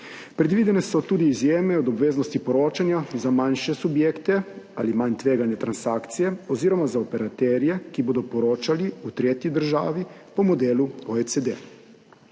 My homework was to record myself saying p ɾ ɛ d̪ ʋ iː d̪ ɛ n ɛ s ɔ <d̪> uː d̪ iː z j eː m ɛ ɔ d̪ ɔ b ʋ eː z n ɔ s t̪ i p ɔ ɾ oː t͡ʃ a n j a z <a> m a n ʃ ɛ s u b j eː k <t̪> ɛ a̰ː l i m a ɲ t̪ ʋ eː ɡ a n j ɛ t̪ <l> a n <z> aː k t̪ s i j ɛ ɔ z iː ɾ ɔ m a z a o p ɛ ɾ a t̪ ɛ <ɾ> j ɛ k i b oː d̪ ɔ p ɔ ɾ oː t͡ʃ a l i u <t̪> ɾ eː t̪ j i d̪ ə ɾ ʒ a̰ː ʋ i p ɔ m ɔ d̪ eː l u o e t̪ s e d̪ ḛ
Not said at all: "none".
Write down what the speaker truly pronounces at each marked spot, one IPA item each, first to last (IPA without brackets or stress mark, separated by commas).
t̪, a, t̪, ɾ, s, ɾ, t̪